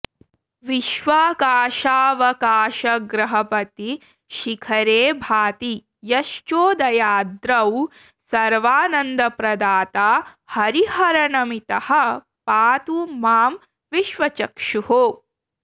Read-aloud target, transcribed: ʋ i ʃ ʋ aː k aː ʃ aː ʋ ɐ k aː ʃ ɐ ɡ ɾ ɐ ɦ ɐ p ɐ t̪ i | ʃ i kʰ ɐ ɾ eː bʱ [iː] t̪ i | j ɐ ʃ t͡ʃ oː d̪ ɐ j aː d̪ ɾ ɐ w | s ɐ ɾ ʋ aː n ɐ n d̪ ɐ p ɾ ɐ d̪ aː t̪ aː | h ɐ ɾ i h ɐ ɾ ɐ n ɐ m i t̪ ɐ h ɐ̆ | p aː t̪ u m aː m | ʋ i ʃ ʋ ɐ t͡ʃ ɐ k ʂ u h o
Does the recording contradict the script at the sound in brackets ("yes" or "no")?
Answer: yes